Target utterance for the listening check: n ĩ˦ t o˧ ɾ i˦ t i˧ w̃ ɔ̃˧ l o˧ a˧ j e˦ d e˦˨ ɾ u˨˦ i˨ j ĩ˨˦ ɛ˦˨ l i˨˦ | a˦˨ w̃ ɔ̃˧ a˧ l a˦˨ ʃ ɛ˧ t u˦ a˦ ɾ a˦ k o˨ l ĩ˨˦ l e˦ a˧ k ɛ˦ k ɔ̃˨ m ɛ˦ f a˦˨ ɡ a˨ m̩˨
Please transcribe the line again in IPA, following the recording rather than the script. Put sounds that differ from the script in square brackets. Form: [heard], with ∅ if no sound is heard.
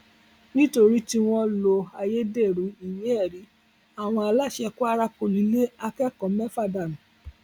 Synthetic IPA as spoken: n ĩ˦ t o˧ ɾ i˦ t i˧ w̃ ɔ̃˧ l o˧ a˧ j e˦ d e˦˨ ɾ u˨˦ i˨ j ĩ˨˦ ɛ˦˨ [ɾ] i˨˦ | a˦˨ w̃ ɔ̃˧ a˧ l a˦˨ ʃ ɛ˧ [k] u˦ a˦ ɾ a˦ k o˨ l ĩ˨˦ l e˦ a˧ k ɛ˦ k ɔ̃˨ m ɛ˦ f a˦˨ [d] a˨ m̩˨